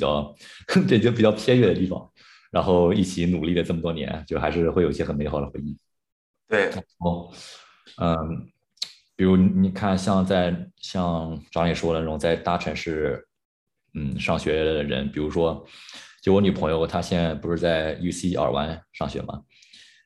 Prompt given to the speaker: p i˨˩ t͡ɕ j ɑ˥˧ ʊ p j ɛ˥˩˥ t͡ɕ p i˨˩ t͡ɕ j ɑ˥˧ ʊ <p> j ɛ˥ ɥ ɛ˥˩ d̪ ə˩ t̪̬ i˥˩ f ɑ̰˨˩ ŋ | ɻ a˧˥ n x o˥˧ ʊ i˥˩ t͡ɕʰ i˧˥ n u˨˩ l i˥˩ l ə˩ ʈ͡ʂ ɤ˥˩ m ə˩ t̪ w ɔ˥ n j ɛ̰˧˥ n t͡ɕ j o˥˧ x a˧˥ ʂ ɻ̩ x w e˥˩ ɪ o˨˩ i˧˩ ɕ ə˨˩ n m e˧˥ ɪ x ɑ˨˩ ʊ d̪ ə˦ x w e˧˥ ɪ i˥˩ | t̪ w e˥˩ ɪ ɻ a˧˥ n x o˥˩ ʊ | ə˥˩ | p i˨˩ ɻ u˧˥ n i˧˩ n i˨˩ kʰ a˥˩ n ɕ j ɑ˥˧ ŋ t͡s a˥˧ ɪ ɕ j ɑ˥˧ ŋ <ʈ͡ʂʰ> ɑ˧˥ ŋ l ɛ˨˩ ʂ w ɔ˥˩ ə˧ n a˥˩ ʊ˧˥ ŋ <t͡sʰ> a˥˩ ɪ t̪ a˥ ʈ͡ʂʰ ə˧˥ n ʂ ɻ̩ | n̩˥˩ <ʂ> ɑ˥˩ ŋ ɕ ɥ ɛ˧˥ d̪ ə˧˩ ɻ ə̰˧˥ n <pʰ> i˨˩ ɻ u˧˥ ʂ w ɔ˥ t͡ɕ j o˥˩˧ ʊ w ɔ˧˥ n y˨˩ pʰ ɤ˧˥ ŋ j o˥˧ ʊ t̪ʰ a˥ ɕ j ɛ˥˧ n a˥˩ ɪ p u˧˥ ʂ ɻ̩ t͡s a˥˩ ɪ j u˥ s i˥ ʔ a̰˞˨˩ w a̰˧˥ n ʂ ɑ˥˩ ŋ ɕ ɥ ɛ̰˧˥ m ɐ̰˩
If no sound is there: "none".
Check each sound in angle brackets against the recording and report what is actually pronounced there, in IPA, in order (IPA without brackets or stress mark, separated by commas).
pʰ, ʈ͡ʂ, t͡s, ʂ, p